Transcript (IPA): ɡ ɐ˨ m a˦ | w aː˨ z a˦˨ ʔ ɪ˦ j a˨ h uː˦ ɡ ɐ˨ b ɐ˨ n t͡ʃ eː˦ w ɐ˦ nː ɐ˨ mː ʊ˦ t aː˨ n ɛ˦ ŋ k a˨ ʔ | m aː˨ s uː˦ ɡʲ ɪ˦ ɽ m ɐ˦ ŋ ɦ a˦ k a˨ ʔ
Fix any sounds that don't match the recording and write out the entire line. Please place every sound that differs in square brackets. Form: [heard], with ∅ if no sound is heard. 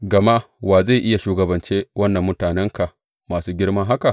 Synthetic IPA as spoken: ɡ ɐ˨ m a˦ | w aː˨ z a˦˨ ʔ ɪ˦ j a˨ [ʃ] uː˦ ɡ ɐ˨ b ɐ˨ n t͡ʃ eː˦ w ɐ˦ nː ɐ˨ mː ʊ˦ t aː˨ n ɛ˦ ŋ k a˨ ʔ | m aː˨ s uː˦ ɡʲ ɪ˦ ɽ m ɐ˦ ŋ ɦ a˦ k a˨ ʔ